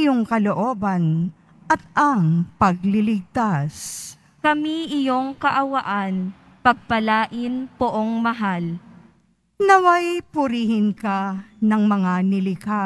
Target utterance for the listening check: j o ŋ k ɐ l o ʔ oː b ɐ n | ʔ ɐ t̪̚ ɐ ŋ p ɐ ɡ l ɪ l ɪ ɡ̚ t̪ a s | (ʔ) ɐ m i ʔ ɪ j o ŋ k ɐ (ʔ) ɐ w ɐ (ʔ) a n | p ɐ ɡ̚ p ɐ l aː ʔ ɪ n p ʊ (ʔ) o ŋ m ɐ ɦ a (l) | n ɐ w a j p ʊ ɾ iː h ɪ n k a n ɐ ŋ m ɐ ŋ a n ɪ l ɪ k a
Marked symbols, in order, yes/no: no, yes, yes, yes, yes

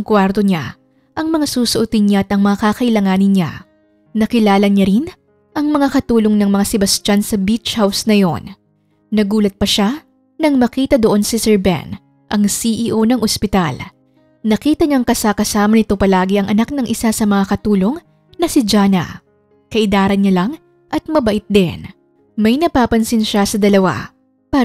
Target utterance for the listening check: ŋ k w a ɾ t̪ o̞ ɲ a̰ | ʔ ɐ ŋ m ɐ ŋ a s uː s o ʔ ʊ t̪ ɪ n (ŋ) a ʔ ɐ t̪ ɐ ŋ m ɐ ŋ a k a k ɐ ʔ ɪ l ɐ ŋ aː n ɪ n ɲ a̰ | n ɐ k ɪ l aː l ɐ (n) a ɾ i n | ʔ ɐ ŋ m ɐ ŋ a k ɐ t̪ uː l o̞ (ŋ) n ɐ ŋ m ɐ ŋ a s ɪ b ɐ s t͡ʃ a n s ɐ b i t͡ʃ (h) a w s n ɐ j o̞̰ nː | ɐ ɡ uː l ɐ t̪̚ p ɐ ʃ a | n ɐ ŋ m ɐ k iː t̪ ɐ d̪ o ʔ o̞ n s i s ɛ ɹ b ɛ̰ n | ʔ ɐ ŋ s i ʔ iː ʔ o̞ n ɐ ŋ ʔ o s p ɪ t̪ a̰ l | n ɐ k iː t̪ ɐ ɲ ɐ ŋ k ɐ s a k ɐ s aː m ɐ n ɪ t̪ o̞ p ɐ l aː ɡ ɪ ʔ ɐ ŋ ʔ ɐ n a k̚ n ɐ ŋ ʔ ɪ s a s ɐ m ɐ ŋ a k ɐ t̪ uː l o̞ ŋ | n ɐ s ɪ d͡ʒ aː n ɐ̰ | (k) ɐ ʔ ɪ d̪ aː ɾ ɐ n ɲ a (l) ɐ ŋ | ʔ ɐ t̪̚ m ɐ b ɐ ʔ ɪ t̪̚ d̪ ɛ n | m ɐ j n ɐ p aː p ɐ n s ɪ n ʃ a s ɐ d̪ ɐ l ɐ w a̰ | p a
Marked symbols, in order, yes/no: no, no, yes, yes, yes, yes

